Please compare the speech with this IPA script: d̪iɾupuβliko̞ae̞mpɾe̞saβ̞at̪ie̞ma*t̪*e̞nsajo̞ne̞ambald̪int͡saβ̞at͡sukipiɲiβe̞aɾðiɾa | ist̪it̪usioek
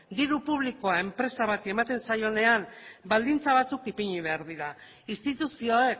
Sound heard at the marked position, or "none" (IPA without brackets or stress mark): t̪